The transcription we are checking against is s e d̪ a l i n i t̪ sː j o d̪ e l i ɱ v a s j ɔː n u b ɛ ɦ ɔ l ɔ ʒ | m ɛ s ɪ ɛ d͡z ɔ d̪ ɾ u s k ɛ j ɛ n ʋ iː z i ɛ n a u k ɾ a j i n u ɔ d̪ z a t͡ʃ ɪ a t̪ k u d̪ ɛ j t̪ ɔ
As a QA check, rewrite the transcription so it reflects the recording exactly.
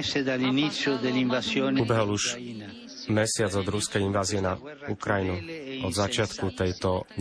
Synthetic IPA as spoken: s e d̪ a l i n i t̪ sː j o d̪ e l i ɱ v a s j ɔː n u b ɛ ɦ ɔ l u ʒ | m ɛ s ɪ a d͡z ɔ d̪ ɾ u s k ɛ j i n ʋ aː z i ɛ n a u k ɾ a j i n u ɔ d̪ z a t͡ʃ ɪ a t̪ k u t̪ ɛ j t̪ ɔ